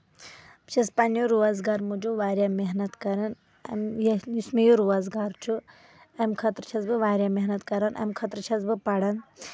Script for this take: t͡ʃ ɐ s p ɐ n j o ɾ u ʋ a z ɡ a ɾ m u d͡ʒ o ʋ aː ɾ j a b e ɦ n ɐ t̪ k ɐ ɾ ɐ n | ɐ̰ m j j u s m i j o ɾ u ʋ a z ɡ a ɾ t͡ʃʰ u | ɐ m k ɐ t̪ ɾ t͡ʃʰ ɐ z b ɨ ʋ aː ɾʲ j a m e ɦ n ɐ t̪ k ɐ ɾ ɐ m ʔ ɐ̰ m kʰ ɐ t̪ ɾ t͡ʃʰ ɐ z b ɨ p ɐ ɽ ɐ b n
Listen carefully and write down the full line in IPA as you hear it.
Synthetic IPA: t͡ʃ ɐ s p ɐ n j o ɾ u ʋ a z ɡ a ɾ m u d͡ʒ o ʋ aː ɾ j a m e ɦ n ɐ t̪ k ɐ ɾ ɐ n | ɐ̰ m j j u s m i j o ɾ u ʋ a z ɡ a ɾ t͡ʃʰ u | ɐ m kʰ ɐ t̪ ɾ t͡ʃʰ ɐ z b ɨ ʋ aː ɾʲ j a m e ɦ n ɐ t̪ k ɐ ɾ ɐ n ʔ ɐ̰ m kʰ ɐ t̪ ɾ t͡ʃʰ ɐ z b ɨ p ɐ ɽ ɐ n